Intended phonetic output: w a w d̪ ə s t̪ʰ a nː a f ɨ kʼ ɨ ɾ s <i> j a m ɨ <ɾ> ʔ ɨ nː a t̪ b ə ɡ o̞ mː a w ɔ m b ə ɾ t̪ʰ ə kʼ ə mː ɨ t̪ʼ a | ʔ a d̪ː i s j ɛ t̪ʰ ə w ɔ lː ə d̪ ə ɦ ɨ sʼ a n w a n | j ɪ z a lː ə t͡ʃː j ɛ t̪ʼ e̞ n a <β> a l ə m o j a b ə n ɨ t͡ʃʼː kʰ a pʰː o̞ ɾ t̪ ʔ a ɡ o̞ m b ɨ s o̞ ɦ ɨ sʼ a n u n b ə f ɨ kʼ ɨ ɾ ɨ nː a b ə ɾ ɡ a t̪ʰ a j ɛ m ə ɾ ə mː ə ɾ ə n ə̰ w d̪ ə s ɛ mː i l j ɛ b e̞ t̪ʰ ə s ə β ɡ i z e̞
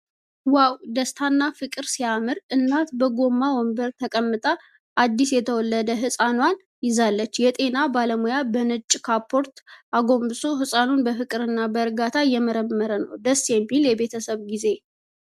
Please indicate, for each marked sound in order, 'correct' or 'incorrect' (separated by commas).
correct, correct, incorrect